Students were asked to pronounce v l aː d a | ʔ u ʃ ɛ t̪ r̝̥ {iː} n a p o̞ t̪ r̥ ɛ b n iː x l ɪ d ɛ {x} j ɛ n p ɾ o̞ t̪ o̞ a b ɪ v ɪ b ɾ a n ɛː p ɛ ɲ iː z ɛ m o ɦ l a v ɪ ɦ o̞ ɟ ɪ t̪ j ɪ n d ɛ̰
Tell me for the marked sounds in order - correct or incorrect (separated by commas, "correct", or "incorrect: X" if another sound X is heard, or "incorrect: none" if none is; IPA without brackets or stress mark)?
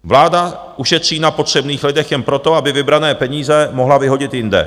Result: correct, correct